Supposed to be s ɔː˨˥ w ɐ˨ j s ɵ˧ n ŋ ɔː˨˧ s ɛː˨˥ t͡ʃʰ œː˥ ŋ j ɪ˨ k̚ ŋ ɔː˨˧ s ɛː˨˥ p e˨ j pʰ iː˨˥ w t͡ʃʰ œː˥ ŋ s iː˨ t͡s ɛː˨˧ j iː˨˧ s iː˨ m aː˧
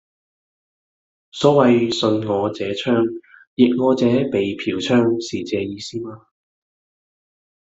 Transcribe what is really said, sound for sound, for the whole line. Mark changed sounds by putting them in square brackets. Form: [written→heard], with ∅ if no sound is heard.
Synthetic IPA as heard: s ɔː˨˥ w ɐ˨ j s ɵ˧ n ŋ ɔː˨˧ [s→t͡s] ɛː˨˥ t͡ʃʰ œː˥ ŋ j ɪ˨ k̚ ŋ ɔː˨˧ [s→t͡s] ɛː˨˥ p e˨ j pʰ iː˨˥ w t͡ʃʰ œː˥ ŋ s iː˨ t͡s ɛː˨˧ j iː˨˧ s [iː˨→iː˥] m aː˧